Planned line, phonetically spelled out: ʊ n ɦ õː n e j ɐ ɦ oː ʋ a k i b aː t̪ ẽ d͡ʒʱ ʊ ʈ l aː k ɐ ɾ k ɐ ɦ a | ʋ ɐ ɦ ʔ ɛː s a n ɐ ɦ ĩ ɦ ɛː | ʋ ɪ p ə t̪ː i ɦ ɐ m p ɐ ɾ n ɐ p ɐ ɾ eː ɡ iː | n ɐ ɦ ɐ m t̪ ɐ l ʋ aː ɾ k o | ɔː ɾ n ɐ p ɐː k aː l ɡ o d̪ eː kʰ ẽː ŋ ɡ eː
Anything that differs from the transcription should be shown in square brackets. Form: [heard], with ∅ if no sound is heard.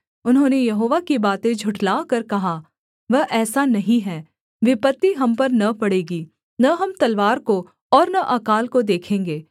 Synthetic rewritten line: ʊ n ɦ õː n e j ɐ ɦ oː ʋ a k i b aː t̪ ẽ d͡ʒʱ ʊ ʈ l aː k ɐ ɾ k ɐ ɦ a | ʋ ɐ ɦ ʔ ɛː s a n ɐ ɦ ĩ ɦ ɛː | ʋ ɪ p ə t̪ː i ɦ ɐ m p ɐ ɾ n ɐ p ɐ [ɽ] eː ɡ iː | n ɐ ɦ ɐ m t̪ ɐ l ʋ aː ɾ k o | ɔː ɾ n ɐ [ʔ] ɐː k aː l [k] o d̪ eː kʰ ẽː ŋ ɡ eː

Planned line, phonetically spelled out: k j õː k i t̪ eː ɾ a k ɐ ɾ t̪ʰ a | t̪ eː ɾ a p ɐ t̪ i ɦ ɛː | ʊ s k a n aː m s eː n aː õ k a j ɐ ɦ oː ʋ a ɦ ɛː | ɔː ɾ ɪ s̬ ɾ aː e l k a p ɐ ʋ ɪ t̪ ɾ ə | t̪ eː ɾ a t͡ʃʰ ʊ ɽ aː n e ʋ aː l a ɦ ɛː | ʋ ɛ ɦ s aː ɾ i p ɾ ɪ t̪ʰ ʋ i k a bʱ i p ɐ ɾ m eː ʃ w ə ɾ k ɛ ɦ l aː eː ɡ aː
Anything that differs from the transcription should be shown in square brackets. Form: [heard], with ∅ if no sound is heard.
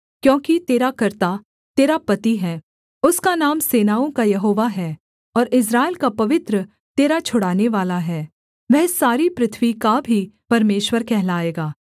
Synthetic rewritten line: k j õː k i t̪ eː ɾ a k ɐ ɾ [t̪] a | t̪ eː ɾ a p ɐ t̪ i ɦ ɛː | ʊ s k a n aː m s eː n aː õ k a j ɐ ɦ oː ʋ a ɦ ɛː | ɔː ɾ ɪ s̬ ɾ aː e l k a p ɐ ʋ ɪ t̪ ɾ ə | t̪ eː ɾ a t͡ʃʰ ʊ ɽ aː n e ʋ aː l a ɦ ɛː | ʋ ɛ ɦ s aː ɾ i p ɾ ɪ t̪ʰ ʋ i k a bʱ i p ɐ ɾ m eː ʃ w ə ɾ k ɛ ɦ l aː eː ɡ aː

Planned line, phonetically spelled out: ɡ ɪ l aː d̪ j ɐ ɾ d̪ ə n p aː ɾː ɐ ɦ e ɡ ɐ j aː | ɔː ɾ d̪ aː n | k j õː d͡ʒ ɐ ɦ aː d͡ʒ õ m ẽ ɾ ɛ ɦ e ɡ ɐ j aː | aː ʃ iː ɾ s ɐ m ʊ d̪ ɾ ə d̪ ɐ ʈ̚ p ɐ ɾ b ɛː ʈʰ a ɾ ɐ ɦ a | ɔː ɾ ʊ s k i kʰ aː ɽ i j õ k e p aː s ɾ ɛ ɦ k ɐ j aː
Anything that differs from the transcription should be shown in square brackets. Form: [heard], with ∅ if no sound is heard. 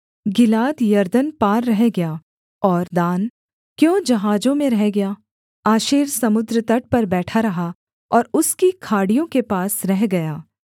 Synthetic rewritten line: ɡ ɪ l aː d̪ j ɐ ɾ d̪ ə n p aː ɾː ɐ ɦ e ɡ ɐ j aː | ɔː ɾ d̪ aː n | k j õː d͡ʒ ɐ ɦ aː d͡ʒ õ m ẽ ɾ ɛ ɦ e ɡ ɐ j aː | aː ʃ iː ɾ s ɐ m ʊ d̪ ɾ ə [t̪] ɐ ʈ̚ p ɐ ɾ b ɛː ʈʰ a ɾ ɐ ɦ a | ɔː ɾ ʊ s k i kʰ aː ɽ i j õ k e p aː s ɾ ɛ ɦ [ɡ] ɐ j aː

